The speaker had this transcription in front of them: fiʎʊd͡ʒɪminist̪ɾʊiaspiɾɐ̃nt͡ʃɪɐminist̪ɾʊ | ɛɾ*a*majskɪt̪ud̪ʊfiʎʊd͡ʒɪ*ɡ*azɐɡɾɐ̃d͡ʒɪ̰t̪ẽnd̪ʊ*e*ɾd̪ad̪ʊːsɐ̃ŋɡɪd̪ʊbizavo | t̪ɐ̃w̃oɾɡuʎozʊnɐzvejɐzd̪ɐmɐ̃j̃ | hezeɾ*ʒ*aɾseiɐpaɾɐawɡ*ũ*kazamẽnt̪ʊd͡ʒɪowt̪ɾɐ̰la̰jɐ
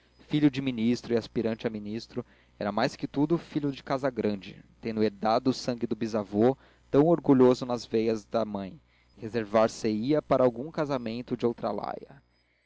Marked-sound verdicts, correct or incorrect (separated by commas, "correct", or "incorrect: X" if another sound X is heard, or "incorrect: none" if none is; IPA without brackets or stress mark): incorrect: ɐ, incorrect: k, correct, incorrect: v, correct